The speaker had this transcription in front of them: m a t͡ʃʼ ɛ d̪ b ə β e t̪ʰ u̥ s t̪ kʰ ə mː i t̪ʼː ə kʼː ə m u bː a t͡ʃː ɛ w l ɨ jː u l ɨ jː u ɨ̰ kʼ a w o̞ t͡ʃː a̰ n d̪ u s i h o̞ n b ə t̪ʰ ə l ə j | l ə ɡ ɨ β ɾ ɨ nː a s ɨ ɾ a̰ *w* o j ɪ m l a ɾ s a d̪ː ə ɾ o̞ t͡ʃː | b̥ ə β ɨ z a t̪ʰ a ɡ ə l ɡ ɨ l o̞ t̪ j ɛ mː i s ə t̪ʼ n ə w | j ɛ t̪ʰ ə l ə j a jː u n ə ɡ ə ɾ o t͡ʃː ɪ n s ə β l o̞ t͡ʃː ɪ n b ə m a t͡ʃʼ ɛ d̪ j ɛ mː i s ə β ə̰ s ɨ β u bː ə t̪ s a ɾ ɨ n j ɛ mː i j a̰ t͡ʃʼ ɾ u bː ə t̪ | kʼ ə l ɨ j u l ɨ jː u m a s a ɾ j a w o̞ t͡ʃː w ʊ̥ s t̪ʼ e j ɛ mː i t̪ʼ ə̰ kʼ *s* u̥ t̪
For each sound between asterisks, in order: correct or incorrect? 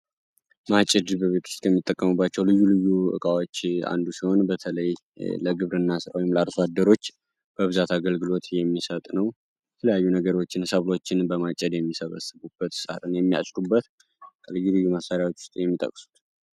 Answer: correct, correct

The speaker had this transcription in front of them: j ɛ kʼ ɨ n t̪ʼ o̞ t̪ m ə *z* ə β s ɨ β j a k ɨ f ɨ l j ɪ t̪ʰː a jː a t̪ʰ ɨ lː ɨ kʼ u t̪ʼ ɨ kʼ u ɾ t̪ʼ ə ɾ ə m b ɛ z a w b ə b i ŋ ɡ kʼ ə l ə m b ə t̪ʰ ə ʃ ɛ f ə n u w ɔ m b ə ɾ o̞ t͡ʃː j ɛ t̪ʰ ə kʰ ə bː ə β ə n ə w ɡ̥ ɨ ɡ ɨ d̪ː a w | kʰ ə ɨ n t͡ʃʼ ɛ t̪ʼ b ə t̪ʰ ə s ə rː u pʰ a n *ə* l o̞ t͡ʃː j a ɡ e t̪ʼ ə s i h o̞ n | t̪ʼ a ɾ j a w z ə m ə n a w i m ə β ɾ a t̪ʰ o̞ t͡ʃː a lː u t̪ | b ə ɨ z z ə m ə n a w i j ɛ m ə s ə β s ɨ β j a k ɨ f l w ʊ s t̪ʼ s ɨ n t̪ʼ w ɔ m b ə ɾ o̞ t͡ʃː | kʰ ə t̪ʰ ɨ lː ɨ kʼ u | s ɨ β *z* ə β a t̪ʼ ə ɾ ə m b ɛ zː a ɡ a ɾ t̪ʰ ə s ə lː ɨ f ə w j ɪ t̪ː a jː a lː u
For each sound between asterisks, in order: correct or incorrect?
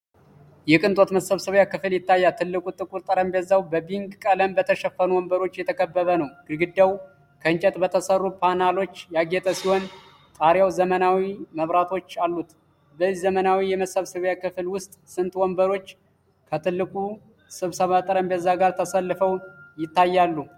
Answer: incorrect: s, incorrect: a, incorrect: s

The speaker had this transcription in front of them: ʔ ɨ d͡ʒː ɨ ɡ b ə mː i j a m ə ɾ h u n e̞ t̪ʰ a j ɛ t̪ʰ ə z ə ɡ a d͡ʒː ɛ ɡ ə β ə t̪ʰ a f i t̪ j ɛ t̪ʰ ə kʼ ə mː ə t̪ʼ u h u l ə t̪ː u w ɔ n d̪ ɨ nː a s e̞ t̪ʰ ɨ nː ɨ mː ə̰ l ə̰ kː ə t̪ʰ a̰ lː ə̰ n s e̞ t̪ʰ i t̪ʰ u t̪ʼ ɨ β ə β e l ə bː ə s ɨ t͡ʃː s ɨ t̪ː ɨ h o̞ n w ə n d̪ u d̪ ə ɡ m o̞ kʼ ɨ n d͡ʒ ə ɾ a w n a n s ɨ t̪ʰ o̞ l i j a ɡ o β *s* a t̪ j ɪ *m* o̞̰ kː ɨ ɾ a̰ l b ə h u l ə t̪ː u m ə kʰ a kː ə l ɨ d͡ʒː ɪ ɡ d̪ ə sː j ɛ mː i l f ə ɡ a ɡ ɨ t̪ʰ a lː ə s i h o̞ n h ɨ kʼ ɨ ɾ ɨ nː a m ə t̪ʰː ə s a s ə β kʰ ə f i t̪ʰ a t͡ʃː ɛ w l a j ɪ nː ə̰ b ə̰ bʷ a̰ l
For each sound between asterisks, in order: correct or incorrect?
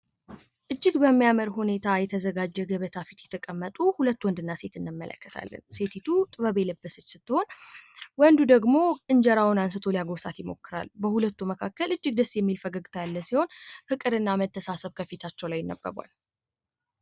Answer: correct, correct

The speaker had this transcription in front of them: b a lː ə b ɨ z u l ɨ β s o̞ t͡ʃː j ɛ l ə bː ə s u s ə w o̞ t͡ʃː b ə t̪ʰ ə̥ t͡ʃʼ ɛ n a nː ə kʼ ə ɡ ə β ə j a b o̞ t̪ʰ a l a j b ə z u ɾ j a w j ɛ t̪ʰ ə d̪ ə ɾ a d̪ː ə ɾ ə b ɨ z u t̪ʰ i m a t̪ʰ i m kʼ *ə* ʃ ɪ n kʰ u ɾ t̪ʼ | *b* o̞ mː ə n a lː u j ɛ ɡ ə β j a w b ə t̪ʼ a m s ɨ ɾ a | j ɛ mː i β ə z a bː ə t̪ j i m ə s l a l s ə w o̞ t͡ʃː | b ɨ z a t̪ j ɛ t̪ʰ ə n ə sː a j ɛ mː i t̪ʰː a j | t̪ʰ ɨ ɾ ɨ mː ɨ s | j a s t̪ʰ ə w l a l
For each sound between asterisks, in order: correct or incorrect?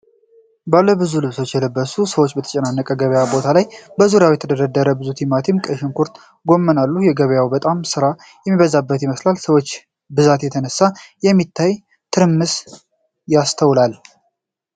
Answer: correct, incorrect: ɡ

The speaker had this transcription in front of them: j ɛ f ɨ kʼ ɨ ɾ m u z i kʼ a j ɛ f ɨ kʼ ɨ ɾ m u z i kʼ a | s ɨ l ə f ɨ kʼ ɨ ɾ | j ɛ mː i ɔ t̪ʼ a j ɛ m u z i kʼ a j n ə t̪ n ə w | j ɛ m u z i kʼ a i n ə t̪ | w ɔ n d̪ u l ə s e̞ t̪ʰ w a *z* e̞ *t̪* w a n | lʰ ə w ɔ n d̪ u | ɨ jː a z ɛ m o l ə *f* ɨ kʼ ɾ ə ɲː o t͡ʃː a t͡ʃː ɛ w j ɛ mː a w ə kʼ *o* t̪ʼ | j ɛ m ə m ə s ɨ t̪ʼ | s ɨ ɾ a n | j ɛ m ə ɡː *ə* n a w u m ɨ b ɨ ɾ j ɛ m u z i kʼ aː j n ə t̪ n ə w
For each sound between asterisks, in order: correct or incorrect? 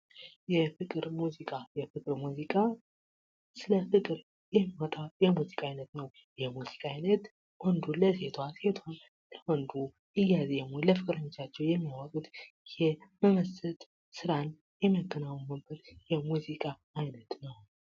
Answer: incorrect: s, incorrect: t̪ʰ, correct, incorrect: u, correct

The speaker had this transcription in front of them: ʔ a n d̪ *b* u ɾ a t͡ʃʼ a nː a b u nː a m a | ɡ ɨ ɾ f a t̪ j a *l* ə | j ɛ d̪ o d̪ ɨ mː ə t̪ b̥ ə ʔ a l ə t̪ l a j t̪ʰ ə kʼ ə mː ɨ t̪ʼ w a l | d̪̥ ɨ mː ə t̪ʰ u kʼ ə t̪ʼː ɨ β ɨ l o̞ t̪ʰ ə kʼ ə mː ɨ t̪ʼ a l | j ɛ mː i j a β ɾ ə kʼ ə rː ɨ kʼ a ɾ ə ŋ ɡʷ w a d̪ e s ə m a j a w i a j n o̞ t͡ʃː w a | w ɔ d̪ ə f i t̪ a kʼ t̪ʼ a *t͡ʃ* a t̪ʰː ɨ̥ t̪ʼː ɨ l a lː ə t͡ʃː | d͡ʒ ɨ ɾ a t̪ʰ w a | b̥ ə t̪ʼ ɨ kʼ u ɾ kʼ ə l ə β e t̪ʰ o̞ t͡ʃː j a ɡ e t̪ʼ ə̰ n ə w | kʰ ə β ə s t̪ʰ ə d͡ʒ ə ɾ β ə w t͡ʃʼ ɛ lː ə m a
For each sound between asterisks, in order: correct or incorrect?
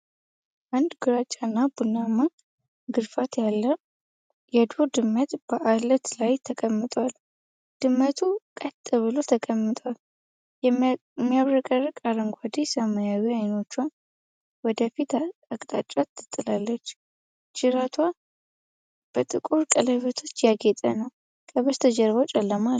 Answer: incorrect: ɡ, incorrect: lː, incorrect: t͡ʃʼ

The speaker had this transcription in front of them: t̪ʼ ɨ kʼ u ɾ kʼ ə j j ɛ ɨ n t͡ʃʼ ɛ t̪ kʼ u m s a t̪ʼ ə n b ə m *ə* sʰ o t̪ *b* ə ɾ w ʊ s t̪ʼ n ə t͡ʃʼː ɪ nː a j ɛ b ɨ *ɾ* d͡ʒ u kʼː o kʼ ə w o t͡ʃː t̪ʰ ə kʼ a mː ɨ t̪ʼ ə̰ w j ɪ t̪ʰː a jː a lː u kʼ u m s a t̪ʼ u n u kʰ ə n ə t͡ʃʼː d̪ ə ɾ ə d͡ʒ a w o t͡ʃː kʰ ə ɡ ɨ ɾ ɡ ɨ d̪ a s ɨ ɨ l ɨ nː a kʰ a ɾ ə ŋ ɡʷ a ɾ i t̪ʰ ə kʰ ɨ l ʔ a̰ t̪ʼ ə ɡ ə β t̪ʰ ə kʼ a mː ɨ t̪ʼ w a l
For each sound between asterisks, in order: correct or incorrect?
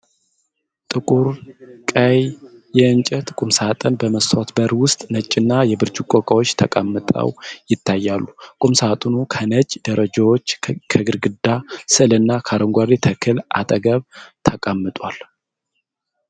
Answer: correct, correct, correct

